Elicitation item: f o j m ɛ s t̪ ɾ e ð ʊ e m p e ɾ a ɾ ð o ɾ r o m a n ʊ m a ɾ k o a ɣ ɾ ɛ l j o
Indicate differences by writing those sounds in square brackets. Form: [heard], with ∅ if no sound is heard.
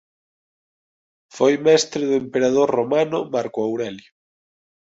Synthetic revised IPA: f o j m ɛ s t̪ ɾ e ð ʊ e m p e ɾ a [∅] ð o ɾ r o m a n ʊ m a ɾ k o a [w] ɾ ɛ l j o